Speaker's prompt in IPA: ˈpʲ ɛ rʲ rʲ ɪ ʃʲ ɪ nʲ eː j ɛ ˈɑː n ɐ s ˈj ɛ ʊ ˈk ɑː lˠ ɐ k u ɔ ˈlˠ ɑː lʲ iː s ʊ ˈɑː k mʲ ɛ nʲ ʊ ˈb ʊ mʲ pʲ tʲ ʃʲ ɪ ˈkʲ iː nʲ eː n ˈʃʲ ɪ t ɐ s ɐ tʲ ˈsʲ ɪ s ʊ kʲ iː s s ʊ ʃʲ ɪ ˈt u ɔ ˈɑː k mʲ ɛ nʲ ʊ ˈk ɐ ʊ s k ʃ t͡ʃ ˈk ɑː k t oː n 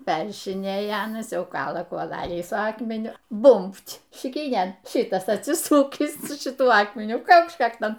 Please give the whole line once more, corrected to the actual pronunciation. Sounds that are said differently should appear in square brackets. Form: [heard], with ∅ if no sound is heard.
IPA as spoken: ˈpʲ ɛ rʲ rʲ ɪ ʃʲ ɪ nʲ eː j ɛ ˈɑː n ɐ s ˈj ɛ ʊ ˈk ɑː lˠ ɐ k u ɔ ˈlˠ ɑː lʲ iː s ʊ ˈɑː k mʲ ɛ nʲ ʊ ˈb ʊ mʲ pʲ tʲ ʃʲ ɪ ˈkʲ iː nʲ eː n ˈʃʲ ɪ t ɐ s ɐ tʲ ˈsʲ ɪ s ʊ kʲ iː s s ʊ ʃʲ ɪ ˈt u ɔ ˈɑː k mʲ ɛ nʲ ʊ ˈk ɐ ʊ [∅] k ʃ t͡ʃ ˈk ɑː k t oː n